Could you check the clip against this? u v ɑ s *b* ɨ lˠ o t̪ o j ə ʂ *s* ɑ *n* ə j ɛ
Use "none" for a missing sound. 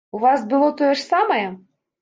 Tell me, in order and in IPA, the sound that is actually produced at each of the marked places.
b, s, m

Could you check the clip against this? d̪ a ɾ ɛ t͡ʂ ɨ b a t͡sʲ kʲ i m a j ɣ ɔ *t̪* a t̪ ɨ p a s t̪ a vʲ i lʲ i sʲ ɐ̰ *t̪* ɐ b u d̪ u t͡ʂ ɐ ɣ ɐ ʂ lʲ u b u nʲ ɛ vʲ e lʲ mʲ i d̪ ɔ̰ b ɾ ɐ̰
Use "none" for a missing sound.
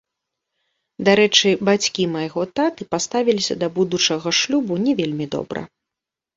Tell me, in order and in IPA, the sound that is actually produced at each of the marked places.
t̪, d̪

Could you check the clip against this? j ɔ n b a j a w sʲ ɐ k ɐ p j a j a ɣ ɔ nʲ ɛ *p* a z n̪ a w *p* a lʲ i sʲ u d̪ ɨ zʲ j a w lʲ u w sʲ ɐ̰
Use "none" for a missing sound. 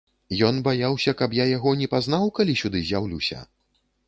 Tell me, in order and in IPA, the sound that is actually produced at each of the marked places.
p, k

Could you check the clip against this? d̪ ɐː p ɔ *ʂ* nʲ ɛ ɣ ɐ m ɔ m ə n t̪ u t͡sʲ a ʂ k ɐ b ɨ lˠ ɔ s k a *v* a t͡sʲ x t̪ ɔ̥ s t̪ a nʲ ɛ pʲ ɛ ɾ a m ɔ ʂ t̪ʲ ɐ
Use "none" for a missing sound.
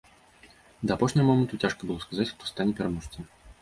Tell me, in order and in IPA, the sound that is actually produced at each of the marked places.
ʂ, z

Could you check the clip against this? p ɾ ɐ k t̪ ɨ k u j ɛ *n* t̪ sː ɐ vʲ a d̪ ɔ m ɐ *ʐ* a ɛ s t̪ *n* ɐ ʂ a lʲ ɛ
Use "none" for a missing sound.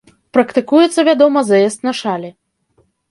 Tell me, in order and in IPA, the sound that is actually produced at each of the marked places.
none, z, n

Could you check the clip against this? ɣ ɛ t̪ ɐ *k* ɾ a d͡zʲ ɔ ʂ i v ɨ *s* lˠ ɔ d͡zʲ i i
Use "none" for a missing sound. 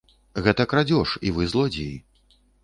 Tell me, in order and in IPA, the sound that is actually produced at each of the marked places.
k, z

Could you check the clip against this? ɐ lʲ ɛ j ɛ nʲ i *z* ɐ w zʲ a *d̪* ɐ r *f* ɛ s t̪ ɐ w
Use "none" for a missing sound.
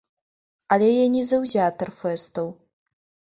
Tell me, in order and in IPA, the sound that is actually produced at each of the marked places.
z, t̪, f

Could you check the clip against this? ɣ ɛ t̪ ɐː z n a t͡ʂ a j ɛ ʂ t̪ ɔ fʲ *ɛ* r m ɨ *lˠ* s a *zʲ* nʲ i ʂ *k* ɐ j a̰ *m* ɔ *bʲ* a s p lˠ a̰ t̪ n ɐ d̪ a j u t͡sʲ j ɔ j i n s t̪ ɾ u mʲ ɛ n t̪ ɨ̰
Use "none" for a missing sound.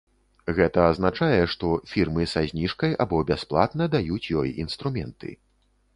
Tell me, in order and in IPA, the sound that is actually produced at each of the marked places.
i, none, zʲ, k, b, bʲ

